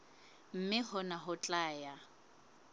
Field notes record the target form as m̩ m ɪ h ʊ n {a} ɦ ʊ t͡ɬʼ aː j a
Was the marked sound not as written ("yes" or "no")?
no